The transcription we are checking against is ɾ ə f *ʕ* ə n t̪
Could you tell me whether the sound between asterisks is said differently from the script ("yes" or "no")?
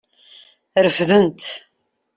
yes